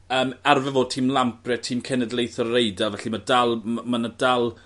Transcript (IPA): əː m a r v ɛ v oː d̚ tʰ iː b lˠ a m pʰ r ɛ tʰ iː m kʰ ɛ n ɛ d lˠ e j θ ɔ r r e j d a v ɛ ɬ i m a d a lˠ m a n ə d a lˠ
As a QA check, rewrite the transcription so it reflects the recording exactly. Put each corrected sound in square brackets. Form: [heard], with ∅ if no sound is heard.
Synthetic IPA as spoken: əː m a r v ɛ v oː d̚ tʰ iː [m] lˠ a m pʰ r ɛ tʰ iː m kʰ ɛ n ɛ d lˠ e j θ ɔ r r e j d a v ɛ ɬ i m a d a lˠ m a n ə d a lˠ